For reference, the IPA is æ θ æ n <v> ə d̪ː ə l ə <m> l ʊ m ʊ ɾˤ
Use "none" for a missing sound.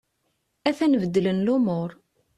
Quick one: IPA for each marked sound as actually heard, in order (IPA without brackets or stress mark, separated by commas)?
v, n